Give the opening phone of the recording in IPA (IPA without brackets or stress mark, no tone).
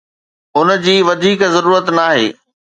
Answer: ʊ